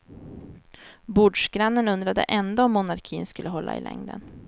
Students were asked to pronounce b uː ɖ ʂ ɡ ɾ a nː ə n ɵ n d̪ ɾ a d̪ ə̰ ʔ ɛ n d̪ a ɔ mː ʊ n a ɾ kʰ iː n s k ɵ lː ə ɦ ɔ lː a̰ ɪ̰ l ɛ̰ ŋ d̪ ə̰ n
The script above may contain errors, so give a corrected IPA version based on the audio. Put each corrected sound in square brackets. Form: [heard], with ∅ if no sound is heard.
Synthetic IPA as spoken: b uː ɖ ʂ ɡ ɾ a nː ə n ɵ n d̪ ɾ a d̪ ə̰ ʔ ɛ n d̪ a ɔ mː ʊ n a ɾ kʰ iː n s k ɵ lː ə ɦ ɔ lː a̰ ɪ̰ l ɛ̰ ŋ d̪ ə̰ n